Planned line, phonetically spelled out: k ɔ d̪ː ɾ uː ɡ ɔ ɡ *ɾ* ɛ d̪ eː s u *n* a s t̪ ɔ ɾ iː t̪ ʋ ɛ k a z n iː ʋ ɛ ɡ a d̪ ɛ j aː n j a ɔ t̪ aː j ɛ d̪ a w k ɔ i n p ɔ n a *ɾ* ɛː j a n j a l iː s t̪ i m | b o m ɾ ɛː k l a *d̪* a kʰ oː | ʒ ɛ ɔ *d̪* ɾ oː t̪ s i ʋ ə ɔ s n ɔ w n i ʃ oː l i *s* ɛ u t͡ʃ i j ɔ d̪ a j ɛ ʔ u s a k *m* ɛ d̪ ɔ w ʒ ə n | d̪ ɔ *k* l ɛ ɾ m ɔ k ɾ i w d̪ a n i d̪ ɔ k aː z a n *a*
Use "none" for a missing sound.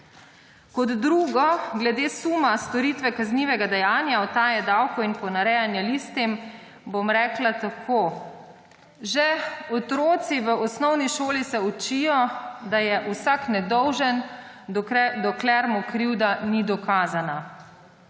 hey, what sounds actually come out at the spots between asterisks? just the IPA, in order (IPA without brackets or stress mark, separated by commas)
l, m, ɾ, t̪, t̪, s, n, k, a